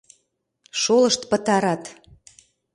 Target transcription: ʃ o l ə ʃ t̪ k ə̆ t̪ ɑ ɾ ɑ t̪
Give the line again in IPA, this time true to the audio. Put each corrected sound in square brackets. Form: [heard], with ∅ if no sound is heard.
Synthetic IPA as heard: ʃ o l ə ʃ t̪ [p] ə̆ t̪ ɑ ɾ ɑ t̪

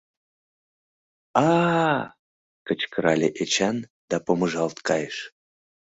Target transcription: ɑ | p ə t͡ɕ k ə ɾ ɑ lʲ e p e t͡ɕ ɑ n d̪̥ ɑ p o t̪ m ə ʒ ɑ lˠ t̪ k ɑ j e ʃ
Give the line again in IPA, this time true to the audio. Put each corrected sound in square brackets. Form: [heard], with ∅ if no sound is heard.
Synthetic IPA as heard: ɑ | [k] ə t͡ɕ k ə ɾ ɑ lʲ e [ʔ] e t͡ɕ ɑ n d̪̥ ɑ p o [∅] m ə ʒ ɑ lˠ t̪ k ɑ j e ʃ

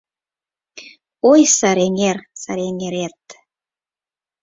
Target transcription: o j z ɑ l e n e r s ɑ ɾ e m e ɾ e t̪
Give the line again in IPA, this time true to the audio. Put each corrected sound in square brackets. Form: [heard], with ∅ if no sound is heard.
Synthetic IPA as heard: o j [s] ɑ [ɾ] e [ŋ] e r s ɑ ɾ e [ŋ] e ɾ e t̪

